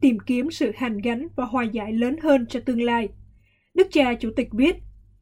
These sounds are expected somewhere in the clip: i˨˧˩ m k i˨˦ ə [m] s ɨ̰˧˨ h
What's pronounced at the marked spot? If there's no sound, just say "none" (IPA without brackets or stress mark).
m